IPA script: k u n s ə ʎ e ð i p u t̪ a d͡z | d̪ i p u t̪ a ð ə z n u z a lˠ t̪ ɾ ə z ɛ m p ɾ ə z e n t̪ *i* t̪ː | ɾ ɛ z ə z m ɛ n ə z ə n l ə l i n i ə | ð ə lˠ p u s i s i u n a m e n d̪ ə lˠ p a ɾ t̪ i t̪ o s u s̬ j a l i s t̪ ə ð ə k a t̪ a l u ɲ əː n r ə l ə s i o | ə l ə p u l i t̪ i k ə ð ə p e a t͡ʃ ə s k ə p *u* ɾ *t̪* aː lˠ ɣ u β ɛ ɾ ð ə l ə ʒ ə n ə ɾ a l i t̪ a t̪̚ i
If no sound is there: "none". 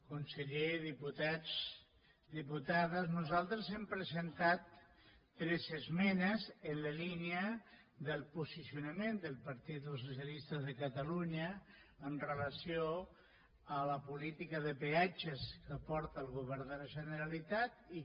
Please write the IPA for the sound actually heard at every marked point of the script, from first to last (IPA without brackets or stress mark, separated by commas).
a, ɔ, t̪